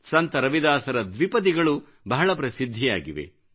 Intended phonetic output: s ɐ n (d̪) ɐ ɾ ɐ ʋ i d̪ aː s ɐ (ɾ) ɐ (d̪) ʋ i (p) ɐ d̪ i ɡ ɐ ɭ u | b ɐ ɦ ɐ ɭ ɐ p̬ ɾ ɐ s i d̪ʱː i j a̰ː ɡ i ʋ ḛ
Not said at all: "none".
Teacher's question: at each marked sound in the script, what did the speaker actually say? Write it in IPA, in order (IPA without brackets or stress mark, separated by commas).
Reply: t̪, ɾ, d̪, p